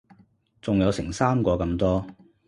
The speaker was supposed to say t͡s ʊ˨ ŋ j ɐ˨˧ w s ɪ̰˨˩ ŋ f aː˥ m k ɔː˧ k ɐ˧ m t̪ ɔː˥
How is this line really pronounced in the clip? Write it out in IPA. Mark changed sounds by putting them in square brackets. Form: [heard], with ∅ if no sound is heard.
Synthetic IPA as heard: t͡s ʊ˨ ŋ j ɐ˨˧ w s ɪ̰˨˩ ŋ [s] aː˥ m k ɔː˧ k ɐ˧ m t̪ ɔː˥

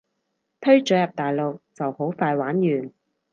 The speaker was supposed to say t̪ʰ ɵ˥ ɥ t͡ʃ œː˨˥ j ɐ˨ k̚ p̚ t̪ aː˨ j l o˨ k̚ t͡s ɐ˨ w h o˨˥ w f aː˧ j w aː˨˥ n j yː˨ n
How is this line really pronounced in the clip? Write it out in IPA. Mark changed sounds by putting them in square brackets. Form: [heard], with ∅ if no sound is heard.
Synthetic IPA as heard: t̪ʰ ɵ˥ ɥ t͡ʃ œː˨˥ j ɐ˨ [∅] p̚ t̪ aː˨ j l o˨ k̚ t͡s ɐ˨ w h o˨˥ w f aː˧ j w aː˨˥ n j yː˨ n

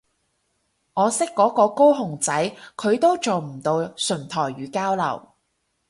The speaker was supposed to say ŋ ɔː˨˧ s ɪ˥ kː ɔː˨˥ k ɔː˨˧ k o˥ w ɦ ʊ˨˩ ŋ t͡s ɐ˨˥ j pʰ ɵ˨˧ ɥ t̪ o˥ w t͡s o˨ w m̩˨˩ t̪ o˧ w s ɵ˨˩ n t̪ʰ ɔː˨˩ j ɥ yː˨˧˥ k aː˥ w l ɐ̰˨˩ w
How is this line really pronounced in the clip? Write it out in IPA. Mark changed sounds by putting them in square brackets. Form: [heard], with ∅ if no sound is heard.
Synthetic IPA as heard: ŋ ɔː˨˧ s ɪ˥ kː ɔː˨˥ k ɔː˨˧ k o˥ w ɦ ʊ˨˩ ŋ t͡s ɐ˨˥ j [kʰ] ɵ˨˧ ɥ t̪ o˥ w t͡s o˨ w m̩˨˩ t̪ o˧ w s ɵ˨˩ n t̪ʰ ɔː˨˩ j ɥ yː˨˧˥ k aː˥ w l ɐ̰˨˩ w

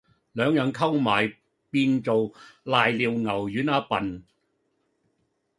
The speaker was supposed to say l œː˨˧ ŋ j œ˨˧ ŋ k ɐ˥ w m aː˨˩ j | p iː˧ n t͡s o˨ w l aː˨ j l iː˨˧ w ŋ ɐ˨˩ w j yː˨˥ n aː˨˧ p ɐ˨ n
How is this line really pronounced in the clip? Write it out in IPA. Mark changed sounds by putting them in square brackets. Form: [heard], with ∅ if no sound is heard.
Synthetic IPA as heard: l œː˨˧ ŋ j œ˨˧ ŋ [kʰ] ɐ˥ w m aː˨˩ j | p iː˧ n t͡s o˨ w l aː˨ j l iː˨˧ w ŋ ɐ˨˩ w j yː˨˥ n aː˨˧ p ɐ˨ n

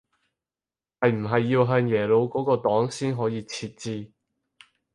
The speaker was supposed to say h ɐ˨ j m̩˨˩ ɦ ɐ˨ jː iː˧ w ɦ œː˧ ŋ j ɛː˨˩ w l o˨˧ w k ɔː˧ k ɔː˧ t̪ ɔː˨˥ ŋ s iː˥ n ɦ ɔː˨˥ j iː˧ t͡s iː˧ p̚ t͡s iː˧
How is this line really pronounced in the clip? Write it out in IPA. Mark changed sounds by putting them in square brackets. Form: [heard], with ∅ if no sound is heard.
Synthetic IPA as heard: h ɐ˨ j m̩˨˩ ɦ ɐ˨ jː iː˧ w ɦ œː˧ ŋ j ɛː˨˩ [∅] l o˨˧ w k [ɔː˨˥] k ɔː˧ t̪ ɔː˨˥ ŋ s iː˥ n ɦ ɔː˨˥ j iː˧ [t͡sʰ] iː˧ [t̚] t͡s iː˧

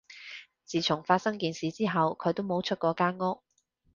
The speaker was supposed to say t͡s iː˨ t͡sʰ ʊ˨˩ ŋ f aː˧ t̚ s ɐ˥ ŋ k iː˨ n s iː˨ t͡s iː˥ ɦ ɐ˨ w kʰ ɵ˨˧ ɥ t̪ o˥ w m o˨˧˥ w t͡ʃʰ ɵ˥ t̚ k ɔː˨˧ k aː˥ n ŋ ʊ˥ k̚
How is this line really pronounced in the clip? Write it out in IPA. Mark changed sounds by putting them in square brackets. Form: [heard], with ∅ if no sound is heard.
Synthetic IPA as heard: t͡s iː˨ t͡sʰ ʊ˨˩ ŋ f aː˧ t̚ s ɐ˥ ŋ k iː˨ n s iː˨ t͡s iː˥ ɦ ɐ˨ w kʰ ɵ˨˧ ɥ t̪ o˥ w m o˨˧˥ w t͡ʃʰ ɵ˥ t̚ k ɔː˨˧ k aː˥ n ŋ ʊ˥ k̚

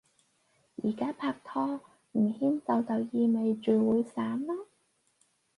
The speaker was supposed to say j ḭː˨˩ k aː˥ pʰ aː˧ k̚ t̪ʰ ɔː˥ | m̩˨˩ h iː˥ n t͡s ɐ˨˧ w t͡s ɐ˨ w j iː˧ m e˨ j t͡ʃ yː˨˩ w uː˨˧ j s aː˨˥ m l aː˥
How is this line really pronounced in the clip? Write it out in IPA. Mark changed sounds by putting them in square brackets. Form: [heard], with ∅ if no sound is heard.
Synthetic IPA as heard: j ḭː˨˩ k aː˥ pʰ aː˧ k̚ t̪ʰ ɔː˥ | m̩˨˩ h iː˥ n t͡s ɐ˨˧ w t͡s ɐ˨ w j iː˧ m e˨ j t͡ʃ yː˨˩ w uː˨˧ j s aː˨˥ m l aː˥

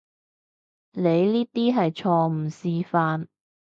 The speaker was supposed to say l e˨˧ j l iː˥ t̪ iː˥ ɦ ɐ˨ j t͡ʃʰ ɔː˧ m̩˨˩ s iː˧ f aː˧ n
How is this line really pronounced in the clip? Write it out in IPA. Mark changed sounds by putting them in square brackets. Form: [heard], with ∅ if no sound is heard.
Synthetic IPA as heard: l e˨˧ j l iː˥ t̪ iː˥ ɦ ɐ˨ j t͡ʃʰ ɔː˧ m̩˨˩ s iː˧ f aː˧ n

